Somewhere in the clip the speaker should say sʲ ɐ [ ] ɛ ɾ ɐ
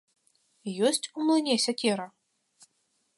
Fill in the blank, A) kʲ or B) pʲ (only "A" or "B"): A